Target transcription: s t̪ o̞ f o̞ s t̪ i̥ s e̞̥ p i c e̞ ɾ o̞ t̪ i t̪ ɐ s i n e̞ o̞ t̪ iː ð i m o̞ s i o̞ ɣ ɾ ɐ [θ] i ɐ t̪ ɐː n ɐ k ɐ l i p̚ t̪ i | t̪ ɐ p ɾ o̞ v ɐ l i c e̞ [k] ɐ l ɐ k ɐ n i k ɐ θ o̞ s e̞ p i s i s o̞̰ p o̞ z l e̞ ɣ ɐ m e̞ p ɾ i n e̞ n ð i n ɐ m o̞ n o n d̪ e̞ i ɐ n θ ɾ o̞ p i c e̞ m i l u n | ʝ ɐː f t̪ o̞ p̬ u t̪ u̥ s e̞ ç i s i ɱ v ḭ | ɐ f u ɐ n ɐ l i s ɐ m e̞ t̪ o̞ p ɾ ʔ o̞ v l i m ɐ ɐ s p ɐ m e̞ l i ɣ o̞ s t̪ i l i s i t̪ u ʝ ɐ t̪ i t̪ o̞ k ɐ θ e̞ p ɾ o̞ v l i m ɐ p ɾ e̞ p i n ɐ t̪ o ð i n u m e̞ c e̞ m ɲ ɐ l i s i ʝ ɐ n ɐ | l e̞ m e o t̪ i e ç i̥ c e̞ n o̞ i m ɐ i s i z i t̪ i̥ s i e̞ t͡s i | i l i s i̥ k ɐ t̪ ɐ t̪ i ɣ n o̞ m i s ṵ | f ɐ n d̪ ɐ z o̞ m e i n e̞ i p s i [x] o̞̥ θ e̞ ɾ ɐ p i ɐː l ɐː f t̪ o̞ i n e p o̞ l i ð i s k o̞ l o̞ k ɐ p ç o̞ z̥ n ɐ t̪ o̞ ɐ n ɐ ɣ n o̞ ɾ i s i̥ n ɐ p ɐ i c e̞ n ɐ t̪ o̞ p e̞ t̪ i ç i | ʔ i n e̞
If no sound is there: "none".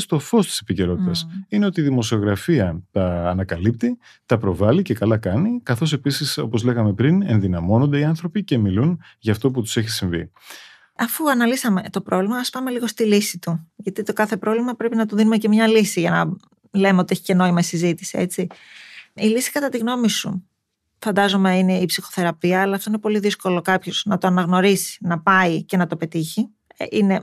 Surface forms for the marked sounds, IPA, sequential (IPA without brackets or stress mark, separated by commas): f, k, x